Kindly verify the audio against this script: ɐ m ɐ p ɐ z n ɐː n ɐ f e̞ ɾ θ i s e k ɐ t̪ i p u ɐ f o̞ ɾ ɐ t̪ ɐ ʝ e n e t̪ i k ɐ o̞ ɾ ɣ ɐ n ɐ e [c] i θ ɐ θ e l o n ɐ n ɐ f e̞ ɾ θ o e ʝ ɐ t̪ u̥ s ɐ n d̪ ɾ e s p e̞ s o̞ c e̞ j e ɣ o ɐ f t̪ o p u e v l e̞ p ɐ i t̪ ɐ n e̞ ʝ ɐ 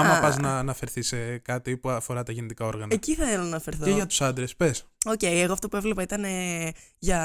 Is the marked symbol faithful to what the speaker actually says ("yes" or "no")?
yes